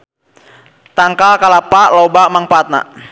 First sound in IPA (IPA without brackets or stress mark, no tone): t̪